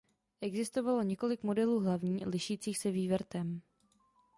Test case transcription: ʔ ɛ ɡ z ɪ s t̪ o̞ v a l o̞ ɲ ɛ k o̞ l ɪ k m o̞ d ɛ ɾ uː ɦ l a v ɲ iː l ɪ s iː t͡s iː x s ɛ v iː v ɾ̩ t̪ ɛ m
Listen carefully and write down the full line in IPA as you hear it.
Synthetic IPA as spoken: ʔ ɛ ɡ z ɪ s t̪ o̞ v a l o̞ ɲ ɛ k o̞ l ɪ k m o̞ d ɛ l uː ɦ l a v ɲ iː l ɪ ʃ iː t͡s iː x s ɛ v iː v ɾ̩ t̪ ɛ m

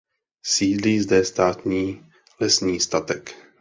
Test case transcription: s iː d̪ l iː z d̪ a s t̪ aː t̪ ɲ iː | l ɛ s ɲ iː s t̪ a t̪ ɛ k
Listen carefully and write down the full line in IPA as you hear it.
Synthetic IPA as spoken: s iː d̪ l iː z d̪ ɛ s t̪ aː t̪ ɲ iː | l ɛ s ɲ iː s t̪ a t̪ ɛ k

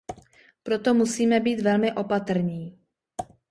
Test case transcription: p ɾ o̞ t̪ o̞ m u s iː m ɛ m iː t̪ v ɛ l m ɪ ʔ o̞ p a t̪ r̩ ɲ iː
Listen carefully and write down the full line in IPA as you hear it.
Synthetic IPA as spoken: p ɾ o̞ t̪ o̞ m u s iː m ɛ b iː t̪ v ɛ l m ɪ ʔ o̞ p a t̪ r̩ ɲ iː

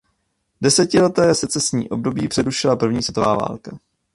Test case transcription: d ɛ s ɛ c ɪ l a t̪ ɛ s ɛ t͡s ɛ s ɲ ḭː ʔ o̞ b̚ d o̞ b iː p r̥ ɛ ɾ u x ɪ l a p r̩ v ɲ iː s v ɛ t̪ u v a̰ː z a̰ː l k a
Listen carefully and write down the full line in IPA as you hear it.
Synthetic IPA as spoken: d ɛ s ɛ c ɪ l ɛ t̪ ɛː s ɛ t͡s ɛ s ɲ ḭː ʔ o̞ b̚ d o̞ b iː p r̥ ɛ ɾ u ʃ ɪ l a p r̩ v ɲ iː s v ɛ t̪ o v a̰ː v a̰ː l k a

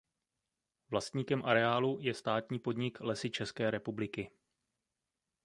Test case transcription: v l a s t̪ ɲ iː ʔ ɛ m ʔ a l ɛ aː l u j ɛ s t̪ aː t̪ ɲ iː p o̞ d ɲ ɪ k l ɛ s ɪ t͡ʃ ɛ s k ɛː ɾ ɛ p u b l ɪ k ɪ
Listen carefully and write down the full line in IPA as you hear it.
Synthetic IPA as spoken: v l a s t̪ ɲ iː k ɛ m ʔ a ɾ ɛ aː l u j ɛ s t̪ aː t̪ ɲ iː p o̞ d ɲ ɪ k l ɛ s ɪ t͡ʃ ɛ s k ɛː ɾ ɛ p u b l ɪ k ɪ

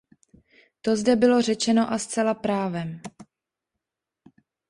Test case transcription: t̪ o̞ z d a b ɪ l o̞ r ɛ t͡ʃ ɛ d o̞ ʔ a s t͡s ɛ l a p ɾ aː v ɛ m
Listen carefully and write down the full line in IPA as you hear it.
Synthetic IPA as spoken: t̪ o̞ z d ɛ b ɪ l o̞ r ɛ t͡ʃ ɛ n o̞ ʔ a s t͡s ɛ l a p ɾ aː v ɛ m

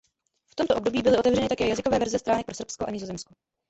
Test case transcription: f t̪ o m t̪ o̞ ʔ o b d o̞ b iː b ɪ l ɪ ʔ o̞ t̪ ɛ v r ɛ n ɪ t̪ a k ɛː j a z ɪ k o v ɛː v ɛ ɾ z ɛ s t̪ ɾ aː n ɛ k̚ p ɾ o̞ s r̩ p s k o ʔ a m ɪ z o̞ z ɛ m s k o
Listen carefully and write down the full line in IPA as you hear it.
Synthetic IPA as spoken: f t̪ o m t̪ o̞ ʔ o b d o̞ b iː b ɪ l ɪ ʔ o̞ t̪ ɛ v r ɛ n ɪ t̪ a k ɛː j a z ɪ k o v ɛː v ɛ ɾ z ɛ s t̪ ɾ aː n ɛ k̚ p ɾ o̞ s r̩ p s k o ʔ a ɲ ɪ z o̞ z ɛ m s k o

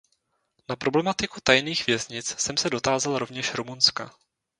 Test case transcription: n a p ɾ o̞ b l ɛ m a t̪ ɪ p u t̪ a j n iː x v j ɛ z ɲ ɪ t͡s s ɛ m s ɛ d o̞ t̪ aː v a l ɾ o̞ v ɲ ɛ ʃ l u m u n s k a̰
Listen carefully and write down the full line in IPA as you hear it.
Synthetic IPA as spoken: n a p ɾ o̞ b l ɛ m a t̪ ɪ k u t̪ a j n iː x v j ɛ z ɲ ɪ t͡s s ɛ m s ɛ d o̞ t̪ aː z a l ɾ o̞ v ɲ ɛ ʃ ɾ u m u n s k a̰

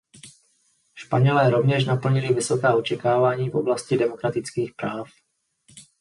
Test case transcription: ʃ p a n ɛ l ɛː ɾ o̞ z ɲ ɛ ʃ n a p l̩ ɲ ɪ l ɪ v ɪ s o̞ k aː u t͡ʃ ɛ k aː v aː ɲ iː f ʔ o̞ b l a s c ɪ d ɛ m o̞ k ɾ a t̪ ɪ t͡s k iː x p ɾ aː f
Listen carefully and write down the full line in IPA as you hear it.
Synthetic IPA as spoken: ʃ p a ɲ ɛ l ɛː ɾ o̞ v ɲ ɛ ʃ n a p l̩ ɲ ɪ l ɪ v ɪ s o̞ k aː o t͡ʃ ɛ k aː v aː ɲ iː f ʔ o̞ b l a s c ɪ d ɛ m o̞ k ɾ a t̪ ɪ t͡s k iː x p ɾ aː f

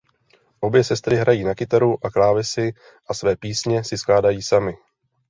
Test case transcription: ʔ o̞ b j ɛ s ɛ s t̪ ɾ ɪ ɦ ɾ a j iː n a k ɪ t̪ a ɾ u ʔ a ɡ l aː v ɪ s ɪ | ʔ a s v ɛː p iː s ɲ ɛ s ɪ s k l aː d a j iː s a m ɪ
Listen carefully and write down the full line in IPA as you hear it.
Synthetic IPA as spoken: ʔ o̞ b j ɛ s ɛ s t̪ ɾ ɪ ɦ ɾ a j iː n a k ɪ t̪ a ɾ u ʔ a k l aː v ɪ s ɪ | ʔ a s v ɛː p iː s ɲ ɛ s ɪ s k l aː d a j iː s a m ɪ

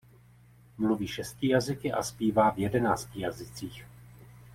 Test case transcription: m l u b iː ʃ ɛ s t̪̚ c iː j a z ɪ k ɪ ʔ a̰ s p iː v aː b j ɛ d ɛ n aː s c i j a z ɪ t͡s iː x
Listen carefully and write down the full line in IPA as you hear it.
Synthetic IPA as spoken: m l u v iː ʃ ɛ s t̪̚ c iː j a z ɪ k ɪ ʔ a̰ s p iː v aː v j ɛ d ɛ n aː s c i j a z ɪ t͡s iː x

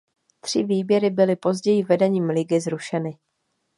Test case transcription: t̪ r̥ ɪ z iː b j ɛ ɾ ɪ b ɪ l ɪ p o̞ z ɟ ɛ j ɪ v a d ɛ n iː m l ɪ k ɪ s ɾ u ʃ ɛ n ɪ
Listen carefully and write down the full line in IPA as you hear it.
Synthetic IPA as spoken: t̪ r̥ ɪ v iː b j ɛ ɾ ɪ b ɪ l ɪ p o̞ z ɟ ɛ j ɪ v ɛ d ɛ ɲ iː m l ɪ ɡ ɪ z ɾ u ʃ ɛ n ɪ

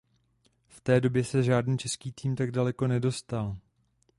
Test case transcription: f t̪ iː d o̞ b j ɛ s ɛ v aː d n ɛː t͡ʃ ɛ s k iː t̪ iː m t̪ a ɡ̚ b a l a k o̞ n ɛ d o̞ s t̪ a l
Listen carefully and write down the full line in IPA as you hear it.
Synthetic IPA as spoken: f t̪ ɛː d o̞ b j ɛ s ɛ ʒ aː d n iː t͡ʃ ɛ s k iː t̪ iː m t̪ a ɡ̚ d a l ɛ k o̞ n ɛ d o̞ s t̪ a l

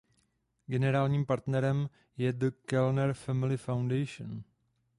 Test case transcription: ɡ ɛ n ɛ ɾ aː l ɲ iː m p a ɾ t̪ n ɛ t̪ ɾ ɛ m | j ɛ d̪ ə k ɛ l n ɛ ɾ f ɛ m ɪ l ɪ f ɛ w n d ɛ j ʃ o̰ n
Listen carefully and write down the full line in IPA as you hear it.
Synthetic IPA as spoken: ɡ ɛ n ɛ ɾ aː l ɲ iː m p a ɾ t̪ n ɛ ɾ ɛ m | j ɛ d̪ ə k ɛ l n ɛ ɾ f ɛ m ɪ l ɪ f a w n d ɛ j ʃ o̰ n

